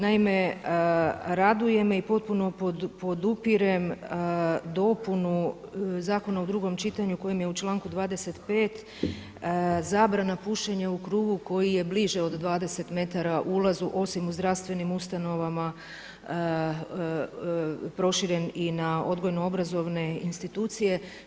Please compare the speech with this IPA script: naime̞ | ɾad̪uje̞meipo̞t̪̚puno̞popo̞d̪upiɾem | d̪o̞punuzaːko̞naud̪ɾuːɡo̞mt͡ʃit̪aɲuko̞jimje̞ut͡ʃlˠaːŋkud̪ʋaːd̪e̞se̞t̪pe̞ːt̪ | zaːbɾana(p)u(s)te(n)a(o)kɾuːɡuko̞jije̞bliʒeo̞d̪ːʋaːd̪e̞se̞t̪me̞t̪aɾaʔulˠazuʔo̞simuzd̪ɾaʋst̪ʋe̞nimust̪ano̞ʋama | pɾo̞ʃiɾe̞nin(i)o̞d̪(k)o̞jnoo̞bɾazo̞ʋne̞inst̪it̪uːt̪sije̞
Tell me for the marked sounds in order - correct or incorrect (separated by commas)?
correct, incorrect, incorrect, incorrect, incorrect, incorrect